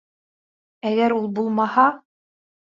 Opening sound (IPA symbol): æ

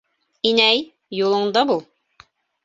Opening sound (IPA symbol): i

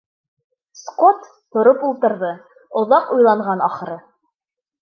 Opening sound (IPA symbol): s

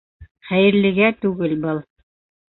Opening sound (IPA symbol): χ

